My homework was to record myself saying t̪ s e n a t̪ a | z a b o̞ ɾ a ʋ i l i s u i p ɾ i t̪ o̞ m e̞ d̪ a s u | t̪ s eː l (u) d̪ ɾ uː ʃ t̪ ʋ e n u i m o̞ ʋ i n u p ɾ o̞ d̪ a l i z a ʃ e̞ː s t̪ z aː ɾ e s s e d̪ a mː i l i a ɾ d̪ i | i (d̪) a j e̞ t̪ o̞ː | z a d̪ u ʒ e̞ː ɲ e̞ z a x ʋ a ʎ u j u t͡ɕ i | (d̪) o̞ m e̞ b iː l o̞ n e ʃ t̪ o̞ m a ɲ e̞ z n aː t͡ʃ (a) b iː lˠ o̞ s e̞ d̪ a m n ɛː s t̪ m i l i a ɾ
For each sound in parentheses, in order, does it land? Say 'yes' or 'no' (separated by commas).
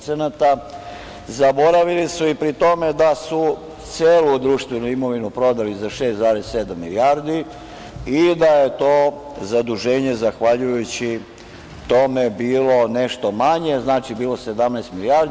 yes, yes, no, no